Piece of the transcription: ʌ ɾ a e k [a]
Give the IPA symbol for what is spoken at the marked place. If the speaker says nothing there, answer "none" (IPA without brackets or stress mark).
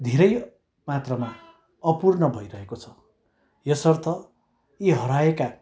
a